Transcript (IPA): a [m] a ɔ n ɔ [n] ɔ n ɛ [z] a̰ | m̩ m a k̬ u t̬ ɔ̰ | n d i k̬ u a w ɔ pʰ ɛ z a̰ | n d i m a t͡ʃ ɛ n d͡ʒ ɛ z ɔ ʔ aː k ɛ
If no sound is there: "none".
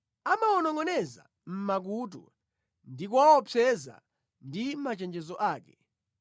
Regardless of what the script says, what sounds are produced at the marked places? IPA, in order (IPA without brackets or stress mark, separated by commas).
m, ŋ, z